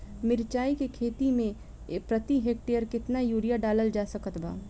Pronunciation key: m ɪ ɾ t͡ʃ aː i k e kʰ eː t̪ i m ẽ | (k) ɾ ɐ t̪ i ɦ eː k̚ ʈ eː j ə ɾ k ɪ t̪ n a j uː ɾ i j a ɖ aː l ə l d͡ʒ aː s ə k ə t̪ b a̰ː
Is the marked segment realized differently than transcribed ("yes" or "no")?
yes